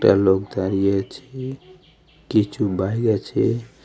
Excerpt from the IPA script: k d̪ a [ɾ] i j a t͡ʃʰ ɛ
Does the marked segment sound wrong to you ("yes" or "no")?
no